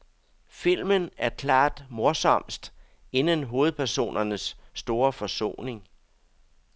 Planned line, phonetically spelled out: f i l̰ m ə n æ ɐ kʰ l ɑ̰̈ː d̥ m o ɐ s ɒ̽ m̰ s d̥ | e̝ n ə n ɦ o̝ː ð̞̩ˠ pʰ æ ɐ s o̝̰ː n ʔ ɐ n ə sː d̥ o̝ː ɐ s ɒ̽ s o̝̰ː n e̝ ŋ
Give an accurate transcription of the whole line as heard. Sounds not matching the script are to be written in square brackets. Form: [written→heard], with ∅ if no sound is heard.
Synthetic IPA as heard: f i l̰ m ə n æ ɐ kʰ l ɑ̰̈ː d̥ m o ɐ s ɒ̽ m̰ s d̥ | e̝ n ə n ɦ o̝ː ð̞̩ˠ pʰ æ ɐ s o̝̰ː n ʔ ɐ n ə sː d̥ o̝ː ɐ [s→f] ɒ̽ s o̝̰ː n e̝ ŋ